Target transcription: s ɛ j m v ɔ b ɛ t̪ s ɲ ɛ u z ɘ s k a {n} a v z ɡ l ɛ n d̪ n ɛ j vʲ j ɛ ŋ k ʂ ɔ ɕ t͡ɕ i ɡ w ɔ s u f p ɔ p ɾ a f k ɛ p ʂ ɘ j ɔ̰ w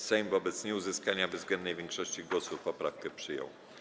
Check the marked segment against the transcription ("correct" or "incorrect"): incorrect